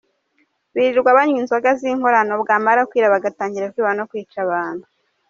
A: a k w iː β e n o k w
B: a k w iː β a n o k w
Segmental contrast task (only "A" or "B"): B